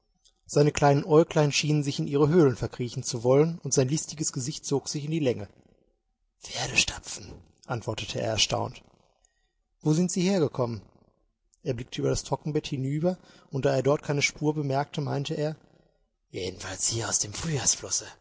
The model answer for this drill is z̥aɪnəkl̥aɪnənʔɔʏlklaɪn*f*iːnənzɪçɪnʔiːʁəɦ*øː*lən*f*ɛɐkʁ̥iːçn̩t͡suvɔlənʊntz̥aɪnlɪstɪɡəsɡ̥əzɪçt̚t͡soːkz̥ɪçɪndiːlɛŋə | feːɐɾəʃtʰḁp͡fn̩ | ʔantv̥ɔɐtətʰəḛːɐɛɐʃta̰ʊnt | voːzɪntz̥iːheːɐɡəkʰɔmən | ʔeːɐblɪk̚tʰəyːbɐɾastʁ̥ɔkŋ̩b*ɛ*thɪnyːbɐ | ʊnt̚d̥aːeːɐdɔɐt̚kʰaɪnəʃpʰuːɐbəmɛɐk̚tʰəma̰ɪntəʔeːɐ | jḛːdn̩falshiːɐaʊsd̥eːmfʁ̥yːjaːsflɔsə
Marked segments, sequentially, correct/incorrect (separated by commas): incorrect, correct, correct, correct